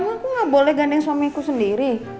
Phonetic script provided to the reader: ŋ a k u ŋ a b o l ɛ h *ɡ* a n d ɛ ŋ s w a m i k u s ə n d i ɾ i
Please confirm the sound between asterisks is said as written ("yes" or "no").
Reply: yes